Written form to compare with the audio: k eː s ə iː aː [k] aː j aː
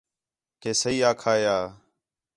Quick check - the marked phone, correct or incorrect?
incorrect